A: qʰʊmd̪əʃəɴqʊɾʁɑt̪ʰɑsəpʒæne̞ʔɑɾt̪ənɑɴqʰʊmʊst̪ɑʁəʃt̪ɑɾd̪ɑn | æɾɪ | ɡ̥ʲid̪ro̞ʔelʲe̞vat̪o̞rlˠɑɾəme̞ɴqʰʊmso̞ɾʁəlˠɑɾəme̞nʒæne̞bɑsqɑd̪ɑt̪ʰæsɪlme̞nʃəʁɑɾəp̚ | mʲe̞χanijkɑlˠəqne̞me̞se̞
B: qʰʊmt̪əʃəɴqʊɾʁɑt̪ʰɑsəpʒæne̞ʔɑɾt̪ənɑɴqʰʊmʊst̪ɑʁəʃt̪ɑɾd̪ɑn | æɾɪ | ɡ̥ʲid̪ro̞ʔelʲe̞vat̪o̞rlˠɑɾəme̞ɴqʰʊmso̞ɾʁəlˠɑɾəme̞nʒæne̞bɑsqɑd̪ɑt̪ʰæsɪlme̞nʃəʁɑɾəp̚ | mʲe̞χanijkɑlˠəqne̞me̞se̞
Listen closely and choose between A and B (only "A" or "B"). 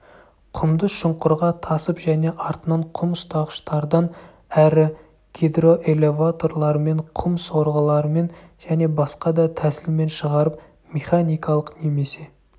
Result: A